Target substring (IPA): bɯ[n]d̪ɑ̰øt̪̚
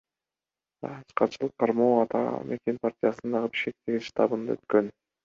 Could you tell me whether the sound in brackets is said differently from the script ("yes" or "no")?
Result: no